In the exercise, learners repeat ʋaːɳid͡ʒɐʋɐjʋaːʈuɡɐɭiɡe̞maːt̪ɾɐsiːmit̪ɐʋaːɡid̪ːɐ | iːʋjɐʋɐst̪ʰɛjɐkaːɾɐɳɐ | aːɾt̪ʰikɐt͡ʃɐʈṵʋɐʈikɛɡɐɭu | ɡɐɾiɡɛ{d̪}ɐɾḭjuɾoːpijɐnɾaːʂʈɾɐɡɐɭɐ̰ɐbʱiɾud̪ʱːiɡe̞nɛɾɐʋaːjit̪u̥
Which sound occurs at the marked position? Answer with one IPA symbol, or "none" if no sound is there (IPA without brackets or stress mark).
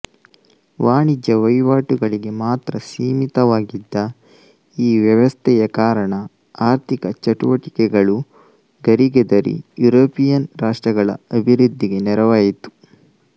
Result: d̪